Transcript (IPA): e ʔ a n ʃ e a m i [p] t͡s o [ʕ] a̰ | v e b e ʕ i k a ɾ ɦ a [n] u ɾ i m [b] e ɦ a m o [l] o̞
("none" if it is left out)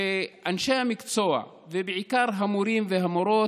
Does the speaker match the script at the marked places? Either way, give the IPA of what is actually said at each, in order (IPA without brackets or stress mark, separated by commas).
k, none, m, v, ɾ